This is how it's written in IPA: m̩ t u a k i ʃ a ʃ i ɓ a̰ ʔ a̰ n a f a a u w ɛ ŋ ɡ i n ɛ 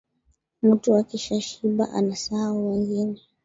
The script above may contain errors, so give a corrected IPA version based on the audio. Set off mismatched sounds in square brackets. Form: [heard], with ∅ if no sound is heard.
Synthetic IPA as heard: m̩ t u a k i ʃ a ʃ i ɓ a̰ ʔ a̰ n a [s] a a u w ɛ ŋ ɡ i n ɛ

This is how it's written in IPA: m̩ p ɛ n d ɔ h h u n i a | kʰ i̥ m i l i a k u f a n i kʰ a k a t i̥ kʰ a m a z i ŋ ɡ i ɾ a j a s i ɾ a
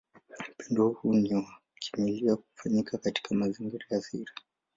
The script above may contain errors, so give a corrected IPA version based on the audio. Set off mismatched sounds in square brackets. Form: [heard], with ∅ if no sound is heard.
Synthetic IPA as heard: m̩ p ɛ n d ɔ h h u n i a | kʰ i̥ m i l i a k u f a [ɲ] i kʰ a k a t i̥ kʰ a m a z i ŋ ɡ i ɾ a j a s i ɾ a

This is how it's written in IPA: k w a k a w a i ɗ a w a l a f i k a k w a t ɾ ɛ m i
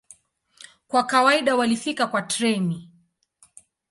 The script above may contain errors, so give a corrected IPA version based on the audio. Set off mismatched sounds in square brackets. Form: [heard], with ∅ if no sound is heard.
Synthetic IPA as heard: k w a k a w a i ɗ a w a l [i] f i k a k w a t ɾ ɛ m i

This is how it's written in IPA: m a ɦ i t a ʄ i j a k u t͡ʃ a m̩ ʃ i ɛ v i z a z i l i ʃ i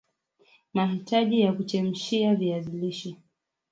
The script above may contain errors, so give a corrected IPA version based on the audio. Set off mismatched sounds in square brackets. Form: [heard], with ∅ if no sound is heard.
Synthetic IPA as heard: m a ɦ i t a ʄ i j a k u t͡ʃ [ɛ] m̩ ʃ i [a] v i [∅] a z i l i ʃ i

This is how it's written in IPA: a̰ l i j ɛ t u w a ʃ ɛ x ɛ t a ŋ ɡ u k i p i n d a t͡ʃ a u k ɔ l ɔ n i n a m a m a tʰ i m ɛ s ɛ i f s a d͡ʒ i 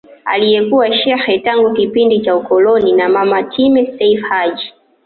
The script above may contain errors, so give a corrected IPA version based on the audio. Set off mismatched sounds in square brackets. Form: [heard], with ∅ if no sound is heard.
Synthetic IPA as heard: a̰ l i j ɛ [k] u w a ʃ ɛ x ɛ t a ŋ ɡ u k i p i n d [i] t͡ʃ a u k ɔ l ɔ n i n a m a m a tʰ i m ɛ s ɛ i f [h] a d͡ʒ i

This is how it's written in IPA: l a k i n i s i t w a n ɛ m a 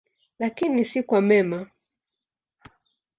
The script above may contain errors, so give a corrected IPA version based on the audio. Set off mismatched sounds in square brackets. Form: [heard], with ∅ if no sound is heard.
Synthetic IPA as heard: l a k i n i s i [k] w a [m] ɛ m a

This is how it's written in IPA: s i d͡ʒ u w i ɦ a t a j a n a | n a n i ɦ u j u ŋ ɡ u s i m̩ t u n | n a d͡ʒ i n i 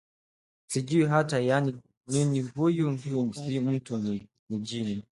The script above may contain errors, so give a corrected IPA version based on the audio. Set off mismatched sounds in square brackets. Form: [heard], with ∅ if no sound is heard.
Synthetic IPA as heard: s i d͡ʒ u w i ɦ a t a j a n [i] | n [i] n i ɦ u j u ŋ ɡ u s i m̩ t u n | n [i] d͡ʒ i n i

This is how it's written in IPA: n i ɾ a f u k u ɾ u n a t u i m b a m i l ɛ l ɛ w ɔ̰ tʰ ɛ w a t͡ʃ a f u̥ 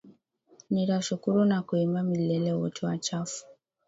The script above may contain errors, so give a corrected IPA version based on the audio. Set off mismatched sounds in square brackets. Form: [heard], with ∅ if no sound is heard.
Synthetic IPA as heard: n i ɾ a [ʃ] u k u ɾ u n a [k] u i m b a m i l ɛ l ɛ w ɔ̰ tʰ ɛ w a t͡ʃ a f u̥

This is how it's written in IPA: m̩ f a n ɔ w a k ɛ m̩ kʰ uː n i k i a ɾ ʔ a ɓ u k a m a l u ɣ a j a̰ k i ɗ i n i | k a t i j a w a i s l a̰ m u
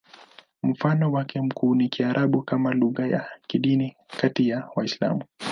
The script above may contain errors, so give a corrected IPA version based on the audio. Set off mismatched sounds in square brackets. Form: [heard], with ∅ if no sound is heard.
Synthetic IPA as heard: m̩ f a n ɔ w a k ɛ m̩ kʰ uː n i k i a ɾ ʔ a ɓ u k a m a l u ɣ a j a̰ k i ɗ i n i | k a t i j a w a i s l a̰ m u

